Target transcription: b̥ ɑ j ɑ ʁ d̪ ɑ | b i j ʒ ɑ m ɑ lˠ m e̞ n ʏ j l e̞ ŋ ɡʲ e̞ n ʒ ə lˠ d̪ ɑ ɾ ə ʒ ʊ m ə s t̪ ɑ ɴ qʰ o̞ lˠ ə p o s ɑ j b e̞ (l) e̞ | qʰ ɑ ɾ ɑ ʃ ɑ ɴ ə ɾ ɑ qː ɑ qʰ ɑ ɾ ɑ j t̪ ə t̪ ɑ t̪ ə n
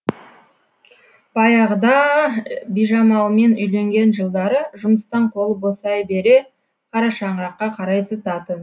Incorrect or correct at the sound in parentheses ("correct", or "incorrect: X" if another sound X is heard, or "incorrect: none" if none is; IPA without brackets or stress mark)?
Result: incorrect: ɾ